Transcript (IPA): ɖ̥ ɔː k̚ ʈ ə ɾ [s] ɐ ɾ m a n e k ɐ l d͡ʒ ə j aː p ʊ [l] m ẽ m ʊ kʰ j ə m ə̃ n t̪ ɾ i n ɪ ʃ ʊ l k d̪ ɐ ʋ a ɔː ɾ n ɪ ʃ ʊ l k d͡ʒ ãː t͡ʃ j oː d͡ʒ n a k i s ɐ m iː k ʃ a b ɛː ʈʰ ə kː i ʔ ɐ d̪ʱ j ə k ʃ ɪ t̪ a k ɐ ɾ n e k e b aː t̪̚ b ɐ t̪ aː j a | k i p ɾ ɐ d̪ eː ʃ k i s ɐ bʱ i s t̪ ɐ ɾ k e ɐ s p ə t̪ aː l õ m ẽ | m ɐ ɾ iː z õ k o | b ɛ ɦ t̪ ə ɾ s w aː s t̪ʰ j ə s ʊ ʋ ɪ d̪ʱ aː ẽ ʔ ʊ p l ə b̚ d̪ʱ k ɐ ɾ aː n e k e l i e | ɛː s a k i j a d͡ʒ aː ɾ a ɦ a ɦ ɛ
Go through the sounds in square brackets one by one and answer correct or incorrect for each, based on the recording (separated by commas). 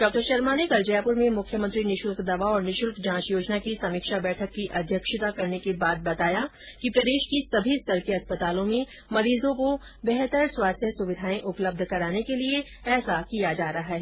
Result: incorrect, incorrect